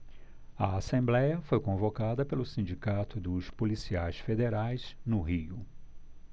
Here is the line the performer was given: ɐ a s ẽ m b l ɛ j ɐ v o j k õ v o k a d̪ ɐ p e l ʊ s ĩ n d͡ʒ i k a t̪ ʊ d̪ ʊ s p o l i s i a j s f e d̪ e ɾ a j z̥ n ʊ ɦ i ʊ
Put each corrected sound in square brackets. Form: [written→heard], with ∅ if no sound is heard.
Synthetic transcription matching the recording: ɐ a s ẽ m b l ɛ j ɐ [v→f] o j k õ v o k a d̪ ɐ p e l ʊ s ĩ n d͡ʒ i k a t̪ ʊ d̪ ʊ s p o l i s i a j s f e d̪ e ɾ a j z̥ n ʊ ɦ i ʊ